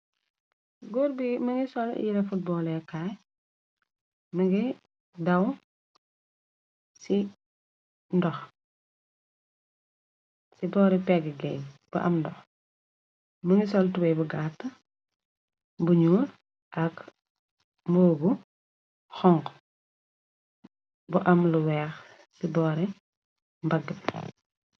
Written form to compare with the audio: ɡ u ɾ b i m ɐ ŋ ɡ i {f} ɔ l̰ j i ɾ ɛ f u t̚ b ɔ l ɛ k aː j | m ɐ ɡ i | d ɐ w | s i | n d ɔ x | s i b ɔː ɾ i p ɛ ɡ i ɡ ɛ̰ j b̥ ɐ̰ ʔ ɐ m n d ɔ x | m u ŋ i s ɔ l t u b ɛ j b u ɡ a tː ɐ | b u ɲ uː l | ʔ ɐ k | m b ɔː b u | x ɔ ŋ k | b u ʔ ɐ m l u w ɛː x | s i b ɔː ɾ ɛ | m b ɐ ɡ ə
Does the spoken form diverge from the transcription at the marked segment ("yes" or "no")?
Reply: yes